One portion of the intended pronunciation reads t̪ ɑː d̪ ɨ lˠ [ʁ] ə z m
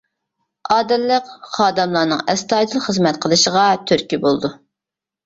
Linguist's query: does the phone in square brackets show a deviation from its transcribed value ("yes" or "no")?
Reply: yes